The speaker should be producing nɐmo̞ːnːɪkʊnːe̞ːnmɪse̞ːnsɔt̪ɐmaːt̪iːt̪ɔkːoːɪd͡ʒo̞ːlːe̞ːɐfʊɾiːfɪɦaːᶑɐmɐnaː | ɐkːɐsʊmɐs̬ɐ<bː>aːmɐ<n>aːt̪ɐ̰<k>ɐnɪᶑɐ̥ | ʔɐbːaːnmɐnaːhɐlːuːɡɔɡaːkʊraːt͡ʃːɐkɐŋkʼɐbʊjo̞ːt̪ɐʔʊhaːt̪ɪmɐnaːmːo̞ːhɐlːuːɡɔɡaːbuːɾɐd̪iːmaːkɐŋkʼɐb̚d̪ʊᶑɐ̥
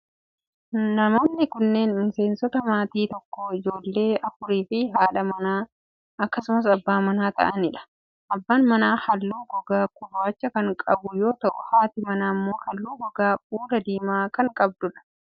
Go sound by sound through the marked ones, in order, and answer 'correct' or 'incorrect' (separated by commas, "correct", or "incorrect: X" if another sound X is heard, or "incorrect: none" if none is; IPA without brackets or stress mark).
correct, correct, incorrect: ʔ